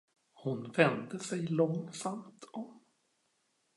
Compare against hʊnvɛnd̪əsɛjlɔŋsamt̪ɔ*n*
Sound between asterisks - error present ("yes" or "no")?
yes